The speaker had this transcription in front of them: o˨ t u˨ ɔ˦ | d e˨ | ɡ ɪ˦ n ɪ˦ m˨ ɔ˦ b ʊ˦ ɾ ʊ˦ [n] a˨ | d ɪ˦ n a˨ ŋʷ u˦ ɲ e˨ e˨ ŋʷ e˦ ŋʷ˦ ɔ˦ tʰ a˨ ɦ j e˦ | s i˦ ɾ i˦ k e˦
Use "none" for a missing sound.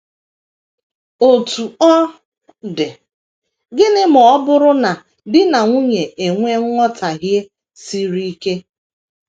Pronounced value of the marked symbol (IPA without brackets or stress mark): n